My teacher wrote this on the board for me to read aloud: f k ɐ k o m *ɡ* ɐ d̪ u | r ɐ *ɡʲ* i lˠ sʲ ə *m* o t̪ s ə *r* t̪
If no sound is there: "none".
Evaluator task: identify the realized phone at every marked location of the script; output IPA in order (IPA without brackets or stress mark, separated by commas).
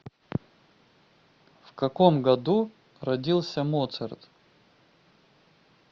ɡ, dʲ, m, r